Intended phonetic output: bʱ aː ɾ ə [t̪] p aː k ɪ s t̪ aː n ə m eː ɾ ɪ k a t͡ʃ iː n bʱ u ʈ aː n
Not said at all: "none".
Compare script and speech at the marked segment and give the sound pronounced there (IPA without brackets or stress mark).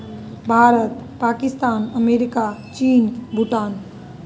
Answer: t̪